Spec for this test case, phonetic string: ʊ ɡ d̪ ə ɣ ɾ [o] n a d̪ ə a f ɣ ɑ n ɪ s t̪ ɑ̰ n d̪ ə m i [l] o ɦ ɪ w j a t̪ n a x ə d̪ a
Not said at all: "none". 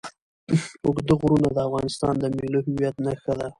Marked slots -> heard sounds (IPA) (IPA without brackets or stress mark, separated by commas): u, l